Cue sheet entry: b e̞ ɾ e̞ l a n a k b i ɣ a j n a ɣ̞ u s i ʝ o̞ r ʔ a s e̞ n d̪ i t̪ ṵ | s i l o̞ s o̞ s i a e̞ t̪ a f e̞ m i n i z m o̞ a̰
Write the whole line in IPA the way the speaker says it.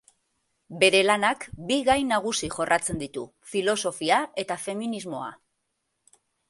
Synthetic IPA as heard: b e̞ ɾ e̞ l a n a k b i ɣ a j n a ɣ̞ u s i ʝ o̞ r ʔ a t͡s e̞ n d̪ i t̪ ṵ | f i l o̞ s o̞ f i a e̞ t̪ a f e̞ m i n i z m o̞ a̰